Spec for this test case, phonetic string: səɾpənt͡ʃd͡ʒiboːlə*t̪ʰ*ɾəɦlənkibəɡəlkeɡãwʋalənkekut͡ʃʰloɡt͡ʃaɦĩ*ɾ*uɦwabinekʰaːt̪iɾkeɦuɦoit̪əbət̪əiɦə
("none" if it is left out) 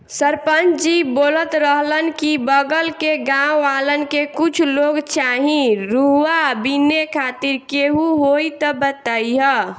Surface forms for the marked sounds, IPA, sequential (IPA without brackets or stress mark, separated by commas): t̪, ɾ